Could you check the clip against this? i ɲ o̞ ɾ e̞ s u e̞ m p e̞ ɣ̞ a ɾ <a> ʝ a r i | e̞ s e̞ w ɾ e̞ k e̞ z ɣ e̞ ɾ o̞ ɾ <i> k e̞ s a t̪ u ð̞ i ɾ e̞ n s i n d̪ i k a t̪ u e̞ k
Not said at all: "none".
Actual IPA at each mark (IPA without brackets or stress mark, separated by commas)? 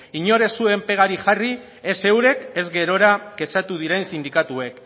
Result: i, a